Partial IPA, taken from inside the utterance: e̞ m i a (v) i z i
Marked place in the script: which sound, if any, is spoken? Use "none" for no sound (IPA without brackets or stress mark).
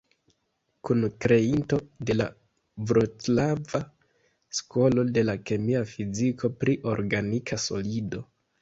f